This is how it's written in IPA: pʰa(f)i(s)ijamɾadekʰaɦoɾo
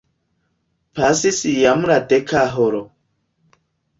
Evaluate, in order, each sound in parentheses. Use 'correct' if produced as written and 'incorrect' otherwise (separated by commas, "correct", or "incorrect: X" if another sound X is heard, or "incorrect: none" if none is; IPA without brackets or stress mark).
incorrect: s, correct